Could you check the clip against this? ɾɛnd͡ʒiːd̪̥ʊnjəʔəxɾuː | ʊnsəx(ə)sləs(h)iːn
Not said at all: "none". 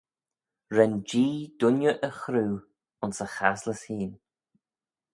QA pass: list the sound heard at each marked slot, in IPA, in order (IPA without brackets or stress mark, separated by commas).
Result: a, h